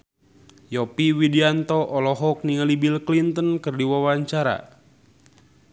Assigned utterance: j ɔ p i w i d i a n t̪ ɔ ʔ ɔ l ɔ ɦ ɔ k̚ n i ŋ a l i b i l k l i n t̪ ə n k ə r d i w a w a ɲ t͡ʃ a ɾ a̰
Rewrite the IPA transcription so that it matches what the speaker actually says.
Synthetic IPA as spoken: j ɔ p i w i d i a n t̪ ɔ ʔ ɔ l ɔ ɦ ɔ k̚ n i ŋ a l i b i l k l i n t̪ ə n k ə r d i w a w a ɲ t͡ʃ a ɾ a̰